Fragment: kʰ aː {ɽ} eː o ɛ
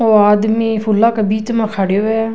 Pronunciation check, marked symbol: correct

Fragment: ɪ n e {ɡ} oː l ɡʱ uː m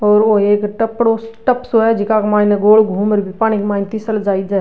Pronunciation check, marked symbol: correct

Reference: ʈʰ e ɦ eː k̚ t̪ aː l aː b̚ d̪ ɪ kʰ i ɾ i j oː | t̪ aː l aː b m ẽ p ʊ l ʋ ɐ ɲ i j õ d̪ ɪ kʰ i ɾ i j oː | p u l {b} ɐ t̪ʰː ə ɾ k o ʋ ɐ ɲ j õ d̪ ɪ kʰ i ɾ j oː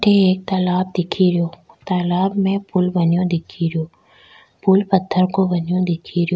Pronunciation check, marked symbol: incorrect: p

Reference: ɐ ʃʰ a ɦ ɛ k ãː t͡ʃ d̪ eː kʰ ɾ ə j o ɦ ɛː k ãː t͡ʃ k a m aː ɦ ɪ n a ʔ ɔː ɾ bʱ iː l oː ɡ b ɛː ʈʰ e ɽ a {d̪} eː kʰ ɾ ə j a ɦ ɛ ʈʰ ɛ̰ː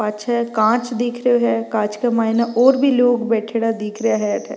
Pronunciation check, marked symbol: correct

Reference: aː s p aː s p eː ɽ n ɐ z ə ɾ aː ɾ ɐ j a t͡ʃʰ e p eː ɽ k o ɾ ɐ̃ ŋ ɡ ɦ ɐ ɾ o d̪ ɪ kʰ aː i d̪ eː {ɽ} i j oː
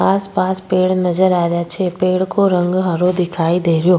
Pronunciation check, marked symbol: incorrect: ɾ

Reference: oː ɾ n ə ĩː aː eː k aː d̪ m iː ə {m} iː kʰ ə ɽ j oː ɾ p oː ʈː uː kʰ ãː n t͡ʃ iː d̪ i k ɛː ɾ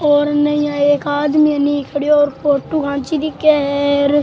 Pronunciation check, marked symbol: incorrect: n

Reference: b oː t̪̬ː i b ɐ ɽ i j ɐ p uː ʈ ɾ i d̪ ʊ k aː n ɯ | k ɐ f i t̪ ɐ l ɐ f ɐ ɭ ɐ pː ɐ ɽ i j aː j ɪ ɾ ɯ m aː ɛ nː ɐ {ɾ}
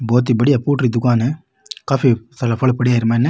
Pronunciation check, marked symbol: incorrect: none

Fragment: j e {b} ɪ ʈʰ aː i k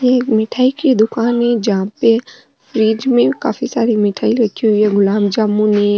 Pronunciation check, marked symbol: incorrect: m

